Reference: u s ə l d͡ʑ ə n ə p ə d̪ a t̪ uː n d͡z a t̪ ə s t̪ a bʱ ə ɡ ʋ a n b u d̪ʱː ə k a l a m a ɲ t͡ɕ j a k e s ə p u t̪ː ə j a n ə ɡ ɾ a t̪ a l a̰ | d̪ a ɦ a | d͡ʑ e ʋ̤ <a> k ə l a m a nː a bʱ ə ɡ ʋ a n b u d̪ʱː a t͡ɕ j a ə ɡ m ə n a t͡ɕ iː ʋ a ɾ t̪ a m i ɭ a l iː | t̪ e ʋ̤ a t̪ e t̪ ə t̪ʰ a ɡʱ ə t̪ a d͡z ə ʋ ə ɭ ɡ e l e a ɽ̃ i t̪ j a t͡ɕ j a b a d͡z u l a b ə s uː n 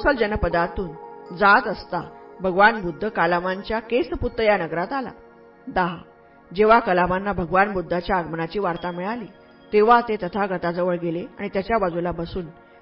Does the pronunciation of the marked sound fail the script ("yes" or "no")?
no